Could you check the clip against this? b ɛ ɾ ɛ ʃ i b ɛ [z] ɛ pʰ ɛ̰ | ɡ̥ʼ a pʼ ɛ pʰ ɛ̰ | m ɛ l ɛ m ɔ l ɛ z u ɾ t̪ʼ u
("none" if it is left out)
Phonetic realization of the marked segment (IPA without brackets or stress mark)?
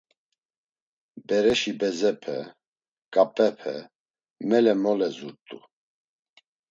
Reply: z